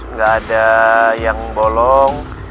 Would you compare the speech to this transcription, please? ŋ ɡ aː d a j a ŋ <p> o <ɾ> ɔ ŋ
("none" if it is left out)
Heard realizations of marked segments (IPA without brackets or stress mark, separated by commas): b, l